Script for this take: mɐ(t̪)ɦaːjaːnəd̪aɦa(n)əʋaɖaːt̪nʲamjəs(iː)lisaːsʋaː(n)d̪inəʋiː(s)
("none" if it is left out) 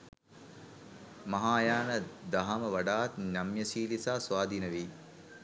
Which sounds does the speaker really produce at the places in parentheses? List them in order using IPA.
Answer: none, m, iː, none, none

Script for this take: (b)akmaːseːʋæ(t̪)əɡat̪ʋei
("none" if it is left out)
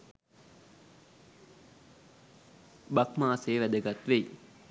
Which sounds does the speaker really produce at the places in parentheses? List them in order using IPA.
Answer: b, d̪

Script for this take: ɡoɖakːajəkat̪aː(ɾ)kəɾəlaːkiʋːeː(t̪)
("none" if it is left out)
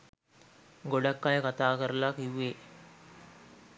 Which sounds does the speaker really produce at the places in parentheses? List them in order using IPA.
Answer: none, none

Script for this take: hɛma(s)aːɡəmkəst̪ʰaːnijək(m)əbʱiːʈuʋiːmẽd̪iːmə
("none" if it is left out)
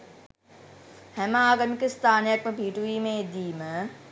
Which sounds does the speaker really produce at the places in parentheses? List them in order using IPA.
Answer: none, m

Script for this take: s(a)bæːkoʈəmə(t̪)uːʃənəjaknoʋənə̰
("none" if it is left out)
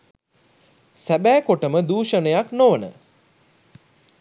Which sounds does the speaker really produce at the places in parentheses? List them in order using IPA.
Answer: æ, d̪

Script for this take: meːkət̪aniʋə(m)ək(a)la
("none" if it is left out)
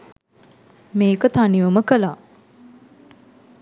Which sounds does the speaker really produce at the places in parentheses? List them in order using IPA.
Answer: m, ə

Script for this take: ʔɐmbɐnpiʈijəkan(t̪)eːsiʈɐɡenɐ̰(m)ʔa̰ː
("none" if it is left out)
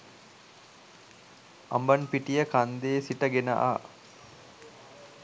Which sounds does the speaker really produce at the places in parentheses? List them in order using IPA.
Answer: d̪, none

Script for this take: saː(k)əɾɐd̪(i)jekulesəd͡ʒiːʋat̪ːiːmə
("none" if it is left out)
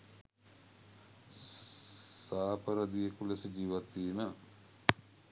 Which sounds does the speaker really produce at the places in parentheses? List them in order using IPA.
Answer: p, i

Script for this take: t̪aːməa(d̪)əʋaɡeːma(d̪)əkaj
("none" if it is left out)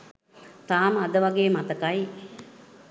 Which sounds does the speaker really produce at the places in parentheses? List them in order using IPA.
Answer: d̪, t̪

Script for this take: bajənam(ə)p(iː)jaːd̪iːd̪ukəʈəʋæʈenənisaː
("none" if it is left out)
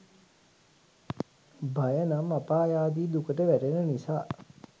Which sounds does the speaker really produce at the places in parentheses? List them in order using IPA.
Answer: a, aː

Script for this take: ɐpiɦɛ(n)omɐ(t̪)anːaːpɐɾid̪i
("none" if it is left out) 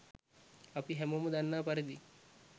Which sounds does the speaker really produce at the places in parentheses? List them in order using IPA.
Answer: m, d̪

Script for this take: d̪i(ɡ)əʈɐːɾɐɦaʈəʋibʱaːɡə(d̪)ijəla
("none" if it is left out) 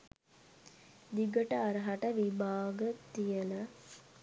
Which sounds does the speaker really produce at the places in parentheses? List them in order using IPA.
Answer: ɡ, t̪

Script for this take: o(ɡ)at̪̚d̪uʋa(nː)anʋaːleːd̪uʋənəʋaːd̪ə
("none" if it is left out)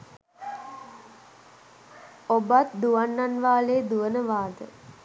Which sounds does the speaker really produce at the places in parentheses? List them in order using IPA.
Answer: b, nː

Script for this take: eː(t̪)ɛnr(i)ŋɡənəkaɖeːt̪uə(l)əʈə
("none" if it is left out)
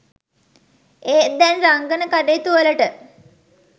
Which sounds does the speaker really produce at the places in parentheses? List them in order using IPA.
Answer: d̪, a, l

